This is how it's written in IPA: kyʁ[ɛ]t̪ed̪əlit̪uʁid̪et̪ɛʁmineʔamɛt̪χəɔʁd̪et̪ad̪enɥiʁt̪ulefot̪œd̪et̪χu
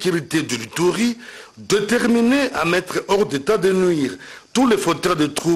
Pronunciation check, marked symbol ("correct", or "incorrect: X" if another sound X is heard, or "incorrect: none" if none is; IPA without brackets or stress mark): incorrect: i